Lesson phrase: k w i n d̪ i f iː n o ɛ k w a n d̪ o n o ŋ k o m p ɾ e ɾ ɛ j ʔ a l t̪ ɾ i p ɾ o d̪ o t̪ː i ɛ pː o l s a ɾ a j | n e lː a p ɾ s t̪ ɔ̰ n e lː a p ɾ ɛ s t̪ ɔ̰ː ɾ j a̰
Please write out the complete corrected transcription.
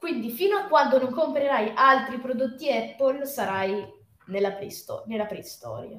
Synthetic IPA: k w i n d̪ i f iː n o a k w a n d̪ o n o ŋ k o m p ɾ e ɾ a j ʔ a l t̪ ɾ i p ɾ o d̪ o t̪ː i ɛ pː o l s a ɾ a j | n e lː a p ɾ s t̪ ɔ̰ n e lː a p ɾ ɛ s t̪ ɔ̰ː ɾ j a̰